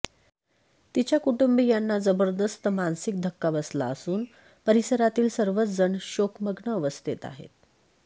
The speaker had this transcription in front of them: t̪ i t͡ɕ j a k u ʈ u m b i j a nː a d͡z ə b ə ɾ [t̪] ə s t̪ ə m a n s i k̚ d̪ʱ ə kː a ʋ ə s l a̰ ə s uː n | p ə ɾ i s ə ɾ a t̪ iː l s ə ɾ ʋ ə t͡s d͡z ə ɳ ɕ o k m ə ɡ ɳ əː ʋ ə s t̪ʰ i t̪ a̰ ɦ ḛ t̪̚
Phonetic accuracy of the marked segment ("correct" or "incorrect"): incorrect